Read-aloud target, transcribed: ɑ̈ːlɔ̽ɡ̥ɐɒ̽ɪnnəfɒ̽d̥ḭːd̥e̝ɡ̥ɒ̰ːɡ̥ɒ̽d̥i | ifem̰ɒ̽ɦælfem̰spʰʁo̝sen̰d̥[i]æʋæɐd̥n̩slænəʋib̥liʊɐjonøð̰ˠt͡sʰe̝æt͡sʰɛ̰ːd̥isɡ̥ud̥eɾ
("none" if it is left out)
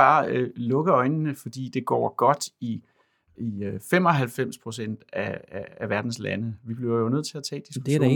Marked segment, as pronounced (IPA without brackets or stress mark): æ